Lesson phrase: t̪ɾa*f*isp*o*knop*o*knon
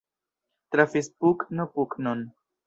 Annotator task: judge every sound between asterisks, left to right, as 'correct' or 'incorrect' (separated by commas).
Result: correct, incorrect, incorrect